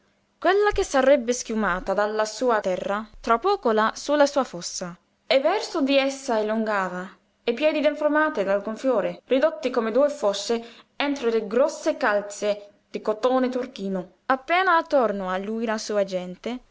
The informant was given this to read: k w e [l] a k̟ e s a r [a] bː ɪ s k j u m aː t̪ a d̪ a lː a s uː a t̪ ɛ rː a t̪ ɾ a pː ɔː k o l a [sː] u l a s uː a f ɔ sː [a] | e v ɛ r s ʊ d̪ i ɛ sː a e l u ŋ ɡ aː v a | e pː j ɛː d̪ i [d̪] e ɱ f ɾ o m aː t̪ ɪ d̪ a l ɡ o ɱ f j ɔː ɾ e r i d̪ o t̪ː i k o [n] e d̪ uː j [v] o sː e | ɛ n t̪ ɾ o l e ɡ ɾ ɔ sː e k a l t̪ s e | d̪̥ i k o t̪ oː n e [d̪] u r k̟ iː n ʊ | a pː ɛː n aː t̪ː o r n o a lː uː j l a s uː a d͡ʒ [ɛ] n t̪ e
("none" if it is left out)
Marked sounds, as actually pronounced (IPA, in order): lː, ɛ, s, a, d̪, m, f, t̪, ɛ

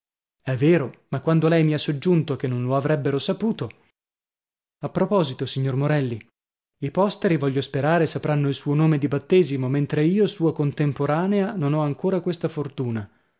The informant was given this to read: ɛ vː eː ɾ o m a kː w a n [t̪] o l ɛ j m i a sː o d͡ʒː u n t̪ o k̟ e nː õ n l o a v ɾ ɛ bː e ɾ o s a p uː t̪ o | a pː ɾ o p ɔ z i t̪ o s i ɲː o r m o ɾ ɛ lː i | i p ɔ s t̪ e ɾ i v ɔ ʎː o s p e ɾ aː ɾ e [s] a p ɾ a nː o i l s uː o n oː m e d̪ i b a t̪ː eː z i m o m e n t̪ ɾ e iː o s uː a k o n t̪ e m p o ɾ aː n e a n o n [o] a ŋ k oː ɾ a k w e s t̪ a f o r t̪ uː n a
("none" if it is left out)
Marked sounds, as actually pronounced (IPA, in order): d̪, s, ɔ

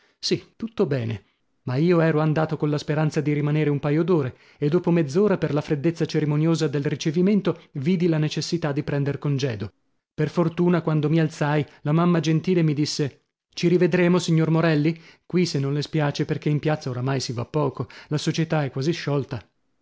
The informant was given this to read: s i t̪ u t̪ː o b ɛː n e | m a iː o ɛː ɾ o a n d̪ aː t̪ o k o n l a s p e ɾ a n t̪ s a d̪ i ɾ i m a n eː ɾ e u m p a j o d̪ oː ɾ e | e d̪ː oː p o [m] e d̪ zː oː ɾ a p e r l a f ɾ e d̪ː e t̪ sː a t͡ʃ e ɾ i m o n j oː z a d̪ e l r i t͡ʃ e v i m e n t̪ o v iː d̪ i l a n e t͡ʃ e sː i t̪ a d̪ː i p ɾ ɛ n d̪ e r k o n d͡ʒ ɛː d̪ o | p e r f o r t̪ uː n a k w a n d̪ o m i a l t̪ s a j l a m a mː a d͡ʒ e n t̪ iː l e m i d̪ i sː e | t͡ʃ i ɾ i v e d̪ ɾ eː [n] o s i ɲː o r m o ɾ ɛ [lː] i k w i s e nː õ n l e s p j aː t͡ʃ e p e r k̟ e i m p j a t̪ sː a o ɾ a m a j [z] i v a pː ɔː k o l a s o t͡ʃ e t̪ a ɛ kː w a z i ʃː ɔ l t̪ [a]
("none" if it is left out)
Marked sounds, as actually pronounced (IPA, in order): m, m, lː, s, a

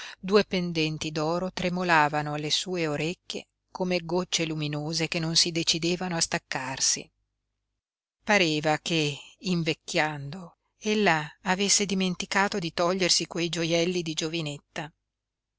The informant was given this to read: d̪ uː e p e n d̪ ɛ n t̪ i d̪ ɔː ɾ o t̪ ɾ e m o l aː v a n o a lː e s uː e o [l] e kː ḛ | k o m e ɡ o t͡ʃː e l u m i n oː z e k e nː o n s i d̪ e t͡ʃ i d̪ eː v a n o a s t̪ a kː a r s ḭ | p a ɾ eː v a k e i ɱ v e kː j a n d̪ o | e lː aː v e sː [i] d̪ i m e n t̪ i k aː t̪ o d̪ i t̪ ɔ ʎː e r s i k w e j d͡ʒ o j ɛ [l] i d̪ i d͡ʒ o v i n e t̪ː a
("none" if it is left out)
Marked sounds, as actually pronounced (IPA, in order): ɾ, e, lː

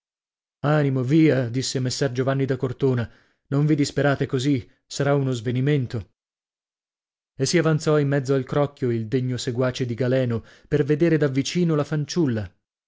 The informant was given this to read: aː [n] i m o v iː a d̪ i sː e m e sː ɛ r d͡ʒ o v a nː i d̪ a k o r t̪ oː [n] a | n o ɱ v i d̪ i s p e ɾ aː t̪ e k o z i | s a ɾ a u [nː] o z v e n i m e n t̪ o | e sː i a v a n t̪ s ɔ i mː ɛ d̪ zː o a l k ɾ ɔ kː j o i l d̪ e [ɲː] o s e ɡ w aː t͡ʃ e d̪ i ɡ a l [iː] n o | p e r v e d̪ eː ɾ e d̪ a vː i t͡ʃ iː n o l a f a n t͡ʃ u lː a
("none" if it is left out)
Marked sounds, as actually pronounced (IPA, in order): n, n, n, ɲː, ɛː

